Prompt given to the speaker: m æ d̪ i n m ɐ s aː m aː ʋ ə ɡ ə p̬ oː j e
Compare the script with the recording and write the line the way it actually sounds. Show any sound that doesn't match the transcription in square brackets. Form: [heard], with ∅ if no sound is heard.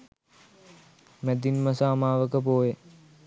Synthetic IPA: m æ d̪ i n m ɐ s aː m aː ʋ ə [k] ə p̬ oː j e

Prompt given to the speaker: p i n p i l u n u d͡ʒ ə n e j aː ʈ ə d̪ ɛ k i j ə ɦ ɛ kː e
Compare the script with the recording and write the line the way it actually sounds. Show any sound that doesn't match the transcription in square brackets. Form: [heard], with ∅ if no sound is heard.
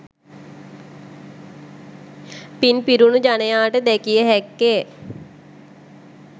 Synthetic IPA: p i n p i [ɾ] u n u d͡ʒ [a] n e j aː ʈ ə d̪ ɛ k i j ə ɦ ɛ kː e

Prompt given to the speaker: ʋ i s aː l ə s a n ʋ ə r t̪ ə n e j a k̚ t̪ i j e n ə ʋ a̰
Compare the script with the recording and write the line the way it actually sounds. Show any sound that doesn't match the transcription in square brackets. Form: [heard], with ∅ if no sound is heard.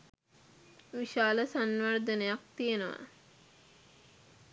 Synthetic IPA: ʋ i [ʃ] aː l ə s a n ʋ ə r [d̪] ə n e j a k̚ t̪ i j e n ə ʋ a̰

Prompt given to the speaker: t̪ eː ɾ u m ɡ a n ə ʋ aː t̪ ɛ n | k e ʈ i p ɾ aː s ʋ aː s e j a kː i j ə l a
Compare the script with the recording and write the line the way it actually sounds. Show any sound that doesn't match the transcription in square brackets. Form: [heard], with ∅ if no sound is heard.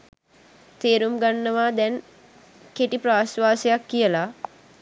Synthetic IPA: t̪ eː ɾ u m ɡ a [nː] ə ʋ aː [d̪] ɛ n | k e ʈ i p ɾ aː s ʋ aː s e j a kː i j ə l a

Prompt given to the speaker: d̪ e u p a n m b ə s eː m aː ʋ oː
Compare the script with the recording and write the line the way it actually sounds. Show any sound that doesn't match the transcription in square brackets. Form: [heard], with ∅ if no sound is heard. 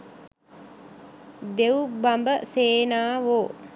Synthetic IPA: d̪ e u [b] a [∅] m b ə s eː [n] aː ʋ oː

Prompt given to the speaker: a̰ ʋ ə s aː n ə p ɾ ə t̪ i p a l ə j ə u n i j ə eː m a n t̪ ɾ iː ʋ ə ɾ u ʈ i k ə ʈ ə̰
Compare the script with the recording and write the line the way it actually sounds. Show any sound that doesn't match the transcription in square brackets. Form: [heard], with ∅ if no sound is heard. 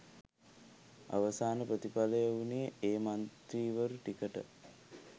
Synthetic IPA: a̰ ʋ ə s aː n ə p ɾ ə t̪ i p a l ə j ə u n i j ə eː m a n t̪ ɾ iː ʋ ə ɾ u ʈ i k ə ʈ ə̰

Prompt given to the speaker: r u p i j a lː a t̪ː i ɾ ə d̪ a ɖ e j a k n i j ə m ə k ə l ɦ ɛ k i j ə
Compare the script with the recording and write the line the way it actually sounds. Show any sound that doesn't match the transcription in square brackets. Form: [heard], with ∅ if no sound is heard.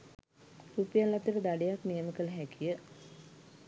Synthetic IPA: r u p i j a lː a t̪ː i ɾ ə d̪ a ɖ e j a k n i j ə m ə k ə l ɦ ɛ k i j ə

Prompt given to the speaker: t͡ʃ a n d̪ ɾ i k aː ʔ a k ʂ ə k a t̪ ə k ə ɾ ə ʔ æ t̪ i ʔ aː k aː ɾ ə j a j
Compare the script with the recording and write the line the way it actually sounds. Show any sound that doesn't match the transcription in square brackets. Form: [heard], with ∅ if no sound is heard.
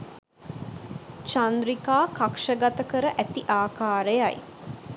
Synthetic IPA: t͡ʃ a n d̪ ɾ i k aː [k] a k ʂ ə [ɡ] a t̪ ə k ə ɾ ə ʔ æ t̪ i ʔ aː k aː ɾ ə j a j

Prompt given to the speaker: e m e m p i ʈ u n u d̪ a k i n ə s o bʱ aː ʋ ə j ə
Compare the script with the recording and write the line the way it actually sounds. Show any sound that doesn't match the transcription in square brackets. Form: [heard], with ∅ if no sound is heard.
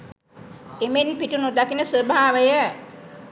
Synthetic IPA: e m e [n] p i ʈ u n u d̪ a k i n ə s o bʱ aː ʋ ə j ə

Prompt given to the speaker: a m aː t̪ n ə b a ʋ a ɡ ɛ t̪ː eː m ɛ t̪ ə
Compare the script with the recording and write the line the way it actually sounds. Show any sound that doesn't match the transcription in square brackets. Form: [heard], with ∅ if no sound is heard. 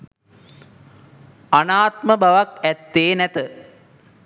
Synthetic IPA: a [n] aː t̪ [m] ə b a ʋ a [k] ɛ t̪ː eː [n] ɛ t̪ ə

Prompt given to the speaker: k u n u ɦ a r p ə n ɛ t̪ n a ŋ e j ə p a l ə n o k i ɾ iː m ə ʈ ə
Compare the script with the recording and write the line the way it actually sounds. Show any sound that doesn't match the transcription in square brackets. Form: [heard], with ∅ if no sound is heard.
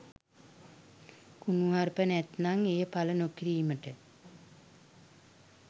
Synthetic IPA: k u n u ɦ a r p ə n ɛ t̪ n a ŋ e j ə p a l ə n o k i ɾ iː m ə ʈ ə

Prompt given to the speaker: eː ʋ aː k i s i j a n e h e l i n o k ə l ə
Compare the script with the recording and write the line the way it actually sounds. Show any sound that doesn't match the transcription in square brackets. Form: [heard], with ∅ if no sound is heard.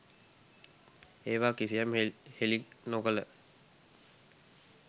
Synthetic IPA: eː ʋ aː k i s i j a [m] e h e l i n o k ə l ə

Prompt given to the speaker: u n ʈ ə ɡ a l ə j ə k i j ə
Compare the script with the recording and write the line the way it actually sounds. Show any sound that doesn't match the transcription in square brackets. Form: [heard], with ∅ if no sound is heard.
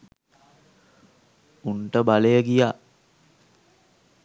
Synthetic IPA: u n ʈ ə [b] a l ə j ə [ɡ] i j [a]

